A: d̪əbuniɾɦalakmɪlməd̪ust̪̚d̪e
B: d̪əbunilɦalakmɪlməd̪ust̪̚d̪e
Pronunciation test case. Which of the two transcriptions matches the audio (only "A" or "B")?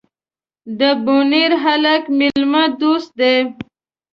A